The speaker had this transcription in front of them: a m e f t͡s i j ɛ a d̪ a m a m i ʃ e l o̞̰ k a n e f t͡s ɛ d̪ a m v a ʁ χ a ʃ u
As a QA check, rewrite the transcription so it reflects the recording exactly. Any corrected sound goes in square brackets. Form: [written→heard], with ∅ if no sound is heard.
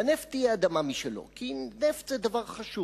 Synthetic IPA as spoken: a [m→n] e f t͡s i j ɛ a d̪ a m a m i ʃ e l o̞̰ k [a→i] n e f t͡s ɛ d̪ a [m→∅] v a ʁ χ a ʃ u